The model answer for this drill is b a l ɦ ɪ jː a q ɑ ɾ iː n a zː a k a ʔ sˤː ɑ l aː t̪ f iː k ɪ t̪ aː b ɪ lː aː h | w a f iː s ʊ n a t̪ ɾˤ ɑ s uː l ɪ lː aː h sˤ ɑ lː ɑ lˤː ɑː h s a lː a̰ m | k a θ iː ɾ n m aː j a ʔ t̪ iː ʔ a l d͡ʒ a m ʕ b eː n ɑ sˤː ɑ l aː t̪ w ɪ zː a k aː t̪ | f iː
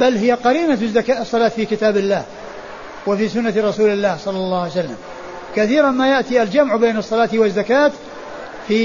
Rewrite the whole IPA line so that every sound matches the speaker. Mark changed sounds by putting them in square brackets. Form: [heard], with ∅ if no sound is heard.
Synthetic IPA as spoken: b a l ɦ ɪ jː a q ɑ ɾ iː n a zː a k a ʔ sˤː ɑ l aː t̪ f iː k ɪ t̪ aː b ɪ lː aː h | w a f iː s ʊ [nː] a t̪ ɾˤ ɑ s uː l ɪ lː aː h sˤ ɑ lː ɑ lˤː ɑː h s a lː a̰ m | k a θ iː ɾ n m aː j a ʔ t̪ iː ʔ a l d͡ʒ a m ʕ b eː n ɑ sˤː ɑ l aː t̪ w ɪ zː a k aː t̪ | f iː